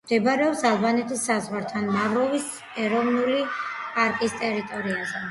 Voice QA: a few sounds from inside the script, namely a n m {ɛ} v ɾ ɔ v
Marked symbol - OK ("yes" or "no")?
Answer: no